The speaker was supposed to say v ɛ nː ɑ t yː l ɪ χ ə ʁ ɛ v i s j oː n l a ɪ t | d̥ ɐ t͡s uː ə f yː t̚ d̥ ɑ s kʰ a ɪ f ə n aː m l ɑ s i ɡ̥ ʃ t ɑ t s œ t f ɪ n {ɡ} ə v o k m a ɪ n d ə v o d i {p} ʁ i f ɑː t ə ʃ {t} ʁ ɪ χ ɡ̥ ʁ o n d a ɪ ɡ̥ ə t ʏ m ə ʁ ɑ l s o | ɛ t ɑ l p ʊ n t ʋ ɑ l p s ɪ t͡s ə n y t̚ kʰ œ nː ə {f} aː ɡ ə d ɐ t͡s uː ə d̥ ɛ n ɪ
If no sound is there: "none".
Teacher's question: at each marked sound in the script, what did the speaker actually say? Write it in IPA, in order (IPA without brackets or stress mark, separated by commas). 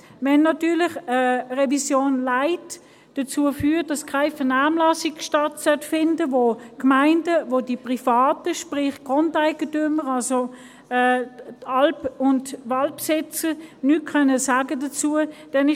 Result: d, p, p, s